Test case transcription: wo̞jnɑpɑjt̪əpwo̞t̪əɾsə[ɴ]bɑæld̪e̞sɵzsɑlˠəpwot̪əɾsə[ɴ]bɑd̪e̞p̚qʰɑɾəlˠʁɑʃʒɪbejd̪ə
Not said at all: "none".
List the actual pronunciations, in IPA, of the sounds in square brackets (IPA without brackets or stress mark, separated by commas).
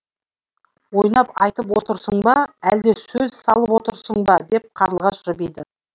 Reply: ɴ, ɴ